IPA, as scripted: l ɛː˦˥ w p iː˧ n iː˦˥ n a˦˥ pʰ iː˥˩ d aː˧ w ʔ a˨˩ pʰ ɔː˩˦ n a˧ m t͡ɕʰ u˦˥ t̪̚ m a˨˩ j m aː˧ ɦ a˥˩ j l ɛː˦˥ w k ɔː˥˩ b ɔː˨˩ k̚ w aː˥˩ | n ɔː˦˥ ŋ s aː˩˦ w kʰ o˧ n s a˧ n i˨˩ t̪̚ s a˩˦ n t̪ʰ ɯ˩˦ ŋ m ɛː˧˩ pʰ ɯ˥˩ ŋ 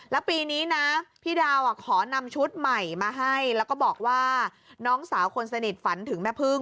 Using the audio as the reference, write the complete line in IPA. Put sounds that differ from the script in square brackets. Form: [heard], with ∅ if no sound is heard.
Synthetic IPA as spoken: l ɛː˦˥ w p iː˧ n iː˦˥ n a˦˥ pʰ iː˥˩ d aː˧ w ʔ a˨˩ [kʰ] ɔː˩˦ n a˧ m t͡ɕʰ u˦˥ t̪̚ m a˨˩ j m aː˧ ɦ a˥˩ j l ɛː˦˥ w k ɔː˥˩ b ɔː˨˩ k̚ w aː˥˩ | n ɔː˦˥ ŋ s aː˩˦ w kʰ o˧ n s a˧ n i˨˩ t̪̚ [f] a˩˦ n t̪ʰ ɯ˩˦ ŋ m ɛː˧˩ pʰ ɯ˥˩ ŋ